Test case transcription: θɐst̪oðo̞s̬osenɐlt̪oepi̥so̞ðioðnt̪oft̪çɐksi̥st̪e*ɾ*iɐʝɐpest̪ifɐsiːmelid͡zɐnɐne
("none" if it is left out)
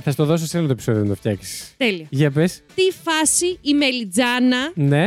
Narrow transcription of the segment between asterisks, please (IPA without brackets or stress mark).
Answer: l